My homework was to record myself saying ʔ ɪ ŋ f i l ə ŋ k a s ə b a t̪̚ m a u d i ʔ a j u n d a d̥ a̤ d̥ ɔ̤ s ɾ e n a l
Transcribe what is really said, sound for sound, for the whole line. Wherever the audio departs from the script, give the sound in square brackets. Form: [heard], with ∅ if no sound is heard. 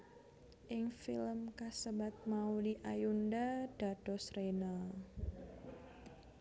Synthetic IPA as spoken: ʔ ɪ ŋ f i l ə [m] k a s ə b a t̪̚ m a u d i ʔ a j u n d a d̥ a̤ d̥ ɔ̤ s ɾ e n a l